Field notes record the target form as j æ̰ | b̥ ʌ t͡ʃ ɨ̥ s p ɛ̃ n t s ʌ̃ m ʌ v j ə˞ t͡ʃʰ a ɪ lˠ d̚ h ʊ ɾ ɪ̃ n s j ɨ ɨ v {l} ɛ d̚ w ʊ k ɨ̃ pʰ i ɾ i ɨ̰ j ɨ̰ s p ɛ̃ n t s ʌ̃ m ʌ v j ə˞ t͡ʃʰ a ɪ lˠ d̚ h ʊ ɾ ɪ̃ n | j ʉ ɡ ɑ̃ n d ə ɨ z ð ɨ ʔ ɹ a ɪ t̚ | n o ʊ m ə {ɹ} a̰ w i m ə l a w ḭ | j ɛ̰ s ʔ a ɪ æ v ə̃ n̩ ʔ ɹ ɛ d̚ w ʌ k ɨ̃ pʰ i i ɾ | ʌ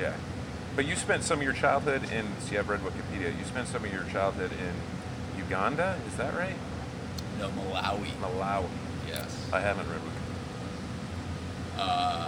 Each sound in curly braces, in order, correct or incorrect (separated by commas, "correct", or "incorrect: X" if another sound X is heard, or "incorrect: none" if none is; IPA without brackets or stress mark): incorrect: ɹ, incorrect: l